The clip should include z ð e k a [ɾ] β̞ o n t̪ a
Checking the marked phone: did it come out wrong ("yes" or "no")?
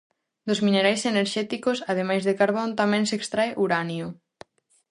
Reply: no